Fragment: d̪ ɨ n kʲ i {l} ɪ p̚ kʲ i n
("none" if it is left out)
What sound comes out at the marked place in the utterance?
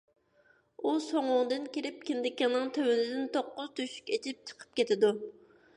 ɾ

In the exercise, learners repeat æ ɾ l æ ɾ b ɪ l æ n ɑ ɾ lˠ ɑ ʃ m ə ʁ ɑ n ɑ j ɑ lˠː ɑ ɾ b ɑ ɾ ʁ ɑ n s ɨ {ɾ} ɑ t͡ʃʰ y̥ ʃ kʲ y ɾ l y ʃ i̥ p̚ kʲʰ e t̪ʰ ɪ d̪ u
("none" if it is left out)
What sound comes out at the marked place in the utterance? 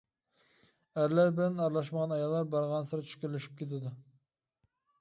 ɾ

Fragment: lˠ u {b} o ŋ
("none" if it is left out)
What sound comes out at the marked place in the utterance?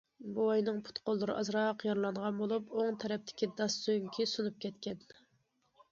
p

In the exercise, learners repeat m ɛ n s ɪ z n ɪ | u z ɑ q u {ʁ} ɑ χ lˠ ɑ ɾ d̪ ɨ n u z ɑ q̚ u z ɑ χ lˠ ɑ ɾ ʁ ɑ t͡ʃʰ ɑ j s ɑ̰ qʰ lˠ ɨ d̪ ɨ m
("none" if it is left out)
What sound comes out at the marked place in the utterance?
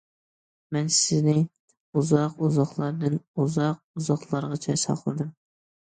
z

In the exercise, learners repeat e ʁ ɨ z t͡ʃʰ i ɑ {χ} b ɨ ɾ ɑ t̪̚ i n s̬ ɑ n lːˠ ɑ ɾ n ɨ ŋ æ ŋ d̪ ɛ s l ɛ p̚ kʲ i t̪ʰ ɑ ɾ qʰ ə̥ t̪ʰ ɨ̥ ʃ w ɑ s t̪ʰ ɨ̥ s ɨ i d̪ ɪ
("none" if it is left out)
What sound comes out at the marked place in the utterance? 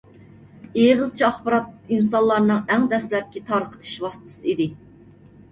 χ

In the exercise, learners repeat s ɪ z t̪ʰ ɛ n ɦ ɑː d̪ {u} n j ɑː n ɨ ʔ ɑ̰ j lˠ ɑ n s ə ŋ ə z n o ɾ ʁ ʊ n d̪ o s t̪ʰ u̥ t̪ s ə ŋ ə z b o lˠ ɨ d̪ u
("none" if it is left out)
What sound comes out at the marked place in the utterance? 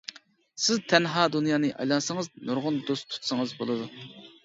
u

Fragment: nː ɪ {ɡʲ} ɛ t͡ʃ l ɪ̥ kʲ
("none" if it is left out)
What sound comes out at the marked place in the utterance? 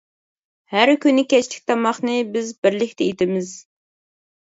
kʲ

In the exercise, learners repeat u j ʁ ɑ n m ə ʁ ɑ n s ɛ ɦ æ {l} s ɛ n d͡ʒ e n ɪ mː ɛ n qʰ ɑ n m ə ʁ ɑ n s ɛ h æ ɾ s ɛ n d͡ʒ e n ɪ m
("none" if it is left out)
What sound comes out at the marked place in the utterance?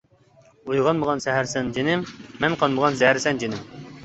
ɾ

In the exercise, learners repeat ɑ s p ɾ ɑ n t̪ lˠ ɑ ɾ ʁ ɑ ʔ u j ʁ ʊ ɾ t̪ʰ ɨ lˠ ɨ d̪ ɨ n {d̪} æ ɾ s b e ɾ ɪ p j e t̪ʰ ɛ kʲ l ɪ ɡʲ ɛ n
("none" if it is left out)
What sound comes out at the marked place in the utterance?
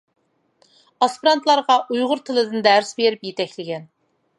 d̪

